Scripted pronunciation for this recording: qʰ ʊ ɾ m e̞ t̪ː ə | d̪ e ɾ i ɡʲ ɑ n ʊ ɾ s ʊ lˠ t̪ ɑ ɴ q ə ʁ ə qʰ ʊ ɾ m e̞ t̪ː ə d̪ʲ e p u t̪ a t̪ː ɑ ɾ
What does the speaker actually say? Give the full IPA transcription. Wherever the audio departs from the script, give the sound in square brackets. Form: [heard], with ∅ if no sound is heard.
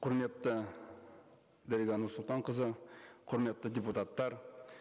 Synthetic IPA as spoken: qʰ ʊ ɾ m e̞ t̪ː ə | d̪ [æ] ɾ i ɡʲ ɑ n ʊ ɾ s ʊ lˠ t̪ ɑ ɴ q ə [z] ə qʰ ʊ ɾ m e̞ t̪ː ə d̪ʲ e p u t̪ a t̪ː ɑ ɾ

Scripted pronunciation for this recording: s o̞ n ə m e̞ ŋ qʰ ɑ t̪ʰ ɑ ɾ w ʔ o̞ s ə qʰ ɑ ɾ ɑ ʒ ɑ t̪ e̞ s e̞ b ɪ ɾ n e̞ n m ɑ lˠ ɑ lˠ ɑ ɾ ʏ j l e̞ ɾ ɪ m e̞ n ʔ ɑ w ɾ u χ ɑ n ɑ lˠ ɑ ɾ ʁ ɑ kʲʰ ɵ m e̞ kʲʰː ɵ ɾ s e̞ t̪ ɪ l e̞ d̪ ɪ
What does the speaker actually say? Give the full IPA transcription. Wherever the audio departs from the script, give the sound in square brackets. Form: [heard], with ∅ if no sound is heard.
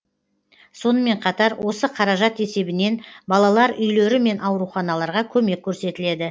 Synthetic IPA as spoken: s o̞ n ə m e̞ [ɴ] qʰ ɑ [t̪] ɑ ɾ w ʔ o̞ s ə qʰ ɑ ɾ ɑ ʒ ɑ t̪ e̞ s e̞ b ɪ [∅] n e̞ n [b] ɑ lˠ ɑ lˠ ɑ ɾ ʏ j l e̞ ɾ ɪ m e̞ n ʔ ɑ w ɾ u χ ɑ n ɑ lˠ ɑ ɾ ʁ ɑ kʲʰ ɵ m e̞ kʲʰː ɵ ɾ s e̞ t̪ ɪ l e̞ d̪ ɪ

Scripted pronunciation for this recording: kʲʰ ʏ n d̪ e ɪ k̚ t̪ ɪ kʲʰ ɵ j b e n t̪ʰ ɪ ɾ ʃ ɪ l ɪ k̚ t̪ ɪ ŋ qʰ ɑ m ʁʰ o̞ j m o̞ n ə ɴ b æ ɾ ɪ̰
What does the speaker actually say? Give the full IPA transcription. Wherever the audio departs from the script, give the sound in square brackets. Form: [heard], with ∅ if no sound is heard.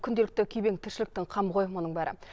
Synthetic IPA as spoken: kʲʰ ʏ n d̪ e ɪ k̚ t̪ ɪ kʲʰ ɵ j b e [ŋ] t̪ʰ ɪ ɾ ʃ ɪ l ɪ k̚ t̪ ɪ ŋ qʰ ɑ m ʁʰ o̞ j m o̞ n ə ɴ b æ ɾ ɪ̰

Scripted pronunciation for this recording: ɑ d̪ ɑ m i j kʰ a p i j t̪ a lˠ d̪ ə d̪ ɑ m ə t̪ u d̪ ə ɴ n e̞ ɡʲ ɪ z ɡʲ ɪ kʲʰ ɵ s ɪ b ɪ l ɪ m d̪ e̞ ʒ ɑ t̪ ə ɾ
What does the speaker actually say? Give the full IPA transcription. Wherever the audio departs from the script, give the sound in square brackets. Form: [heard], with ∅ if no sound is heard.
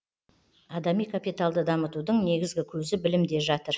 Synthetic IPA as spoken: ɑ d̪ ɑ m i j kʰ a p i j t̪ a lˠ d̪ ə d̪ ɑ m ə t̪ u d̪ ə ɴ n e̞ ɡʲ ɪ z ɡʲ ɪ kʲʰ ɵ [z] ɪ b ɪ l ɪ m d̪ e̞ ʒ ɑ t̪ ə ɾ

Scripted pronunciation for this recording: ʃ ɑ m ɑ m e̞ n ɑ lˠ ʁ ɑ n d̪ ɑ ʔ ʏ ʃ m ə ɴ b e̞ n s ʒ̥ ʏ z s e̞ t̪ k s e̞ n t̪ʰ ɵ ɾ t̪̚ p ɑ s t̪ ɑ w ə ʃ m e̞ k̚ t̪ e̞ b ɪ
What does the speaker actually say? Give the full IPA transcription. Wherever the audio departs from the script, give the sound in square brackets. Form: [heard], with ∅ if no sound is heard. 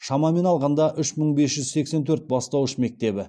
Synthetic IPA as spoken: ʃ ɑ m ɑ m e̞ n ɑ lˠ ʁ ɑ n d̪ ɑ ʔ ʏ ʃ m ə ɴ b e̞ [∅] s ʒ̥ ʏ z s e̞ [∅] k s e̞ n t̪ʰ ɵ ɾ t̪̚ [b] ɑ s t̪ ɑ w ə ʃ m e̞ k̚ t̪ e̞ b ɪ

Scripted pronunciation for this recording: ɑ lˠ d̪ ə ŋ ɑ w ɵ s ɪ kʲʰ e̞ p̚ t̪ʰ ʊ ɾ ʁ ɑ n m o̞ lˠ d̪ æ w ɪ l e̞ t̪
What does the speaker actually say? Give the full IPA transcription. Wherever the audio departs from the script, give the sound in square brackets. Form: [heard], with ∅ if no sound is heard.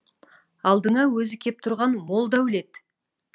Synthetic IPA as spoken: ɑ lˠ d̪ ə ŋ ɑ w ɵ [z] ɪ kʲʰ e̞ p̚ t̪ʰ ʊ ɾ ʁ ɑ n m o̞ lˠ d̪ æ w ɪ l e̞ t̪

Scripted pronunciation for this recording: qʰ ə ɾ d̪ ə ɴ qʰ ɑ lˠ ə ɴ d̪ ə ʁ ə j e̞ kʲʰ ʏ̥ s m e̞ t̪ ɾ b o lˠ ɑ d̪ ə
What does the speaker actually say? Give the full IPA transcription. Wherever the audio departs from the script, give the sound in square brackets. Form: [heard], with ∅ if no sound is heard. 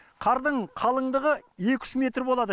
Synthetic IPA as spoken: qʰ [ɑ] ɾ d̪ ə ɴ qʰ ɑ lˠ ə ɴ d̪ ə ʁ ə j e̞ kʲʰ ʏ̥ [ʃ] m e̞ t̪ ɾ b o lˠ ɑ d̪ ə

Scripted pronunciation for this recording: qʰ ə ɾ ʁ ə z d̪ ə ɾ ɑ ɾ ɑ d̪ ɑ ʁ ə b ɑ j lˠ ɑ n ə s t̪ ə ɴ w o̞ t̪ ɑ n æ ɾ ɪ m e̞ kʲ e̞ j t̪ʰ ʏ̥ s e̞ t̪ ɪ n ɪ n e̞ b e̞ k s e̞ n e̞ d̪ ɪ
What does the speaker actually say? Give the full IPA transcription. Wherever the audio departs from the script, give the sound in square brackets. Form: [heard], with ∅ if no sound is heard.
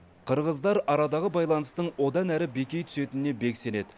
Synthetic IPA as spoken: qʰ ə ɾ ʁ ə z d̪ [ɑ] ɾ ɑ ɾ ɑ d̪ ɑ ʁ ə b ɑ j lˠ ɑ n ə s t̪ ə ɴ w o̞ [d̪] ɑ n æ ɾ ɪ [b] e̞ kʲ e̞ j t̪ʰ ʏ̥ s e̞ t̪ ɪ n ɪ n e̞ b e̞ k s e̞ n e̞ d̪ ɪ

